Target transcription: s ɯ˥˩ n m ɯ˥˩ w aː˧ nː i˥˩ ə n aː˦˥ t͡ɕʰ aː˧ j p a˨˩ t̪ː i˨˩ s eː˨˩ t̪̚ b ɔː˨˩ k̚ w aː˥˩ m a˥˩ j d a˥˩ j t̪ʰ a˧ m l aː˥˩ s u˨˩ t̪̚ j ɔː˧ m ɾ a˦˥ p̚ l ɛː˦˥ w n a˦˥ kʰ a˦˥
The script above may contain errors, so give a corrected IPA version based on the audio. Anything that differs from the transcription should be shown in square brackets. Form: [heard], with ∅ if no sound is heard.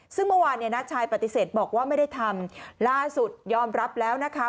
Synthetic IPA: s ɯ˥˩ [ŋ] m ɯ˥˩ w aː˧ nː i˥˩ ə n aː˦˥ t͡ɕʰ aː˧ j p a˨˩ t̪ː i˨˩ s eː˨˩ t̪̚ b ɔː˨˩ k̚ w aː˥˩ m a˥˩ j d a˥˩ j t̪ʰ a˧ m l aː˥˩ s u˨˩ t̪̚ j ɔː˧ m ɾ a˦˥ p̚ l ɛː˦˥ w n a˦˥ kʰ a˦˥